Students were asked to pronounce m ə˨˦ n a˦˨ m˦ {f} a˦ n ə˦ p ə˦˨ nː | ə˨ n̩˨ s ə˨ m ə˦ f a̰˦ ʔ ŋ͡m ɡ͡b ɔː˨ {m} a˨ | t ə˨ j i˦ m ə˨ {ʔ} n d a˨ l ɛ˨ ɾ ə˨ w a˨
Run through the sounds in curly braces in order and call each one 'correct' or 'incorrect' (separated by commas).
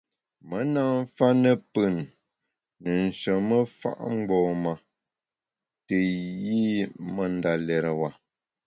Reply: correct, correct, incorrect